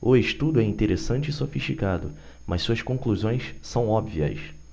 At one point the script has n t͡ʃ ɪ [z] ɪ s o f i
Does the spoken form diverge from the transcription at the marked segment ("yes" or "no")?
yes